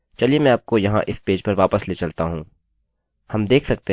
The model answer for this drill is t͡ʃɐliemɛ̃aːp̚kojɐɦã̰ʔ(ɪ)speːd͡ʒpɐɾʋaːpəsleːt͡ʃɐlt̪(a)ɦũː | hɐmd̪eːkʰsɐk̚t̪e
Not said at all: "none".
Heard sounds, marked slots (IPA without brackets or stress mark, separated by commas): ɪ, a